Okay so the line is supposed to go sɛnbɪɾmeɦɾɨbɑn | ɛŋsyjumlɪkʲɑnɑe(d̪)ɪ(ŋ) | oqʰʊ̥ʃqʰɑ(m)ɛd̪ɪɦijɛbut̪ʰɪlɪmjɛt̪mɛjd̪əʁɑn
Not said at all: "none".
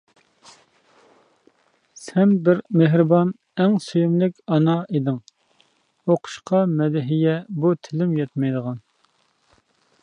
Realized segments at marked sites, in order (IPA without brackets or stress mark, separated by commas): d̪, ŋ, m